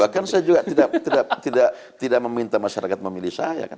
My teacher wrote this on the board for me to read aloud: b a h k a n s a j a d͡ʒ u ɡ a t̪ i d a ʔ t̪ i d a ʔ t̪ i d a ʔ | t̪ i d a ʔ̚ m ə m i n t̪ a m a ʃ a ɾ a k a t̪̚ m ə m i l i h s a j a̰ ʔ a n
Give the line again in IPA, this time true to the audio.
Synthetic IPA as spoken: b a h k a n s a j a d͡ʒ u ɡ a t̪ i d a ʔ t̪ i d a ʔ t̪ i d a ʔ | t̪ i d a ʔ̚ m ə m i n t̪ a m a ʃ a ɾ a k a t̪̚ m ə m i l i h s a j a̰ k a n